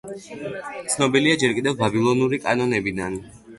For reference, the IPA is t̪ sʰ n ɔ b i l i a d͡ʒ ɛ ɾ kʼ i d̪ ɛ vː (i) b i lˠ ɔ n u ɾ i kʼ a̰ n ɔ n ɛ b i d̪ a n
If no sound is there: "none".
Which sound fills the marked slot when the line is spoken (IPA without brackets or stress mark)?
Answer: a